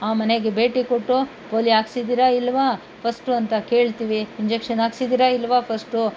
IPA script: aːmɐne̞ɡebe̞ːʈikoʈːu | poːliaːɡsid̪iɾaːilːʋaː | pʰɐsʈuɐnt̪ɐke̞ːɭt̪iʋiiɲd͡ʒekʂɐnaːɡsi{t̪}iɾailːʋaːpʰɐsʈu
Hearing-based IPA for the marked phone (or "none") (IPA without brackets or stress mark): d̪